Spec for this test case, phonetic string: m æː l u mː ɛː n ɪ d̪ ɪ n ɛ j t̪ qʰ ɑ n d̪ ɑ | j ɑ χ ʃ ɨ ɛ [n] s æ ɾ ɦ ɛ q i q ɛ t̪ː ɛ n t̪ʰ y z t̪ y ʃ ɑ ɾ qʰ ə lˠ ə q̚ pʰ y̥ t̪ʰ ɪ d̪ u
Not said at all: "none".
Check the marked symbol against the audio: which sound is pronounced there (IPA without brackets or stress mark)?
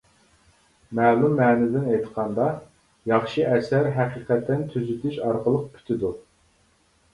none